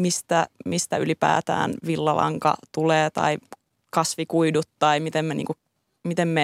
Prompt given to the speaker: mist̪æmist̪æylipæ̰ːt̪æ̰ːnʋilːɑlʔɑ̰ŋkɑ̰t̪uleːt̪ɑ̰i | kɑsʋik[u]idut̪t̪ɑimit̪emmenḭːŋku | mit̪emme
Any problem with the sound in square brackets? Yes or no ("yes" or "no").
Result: no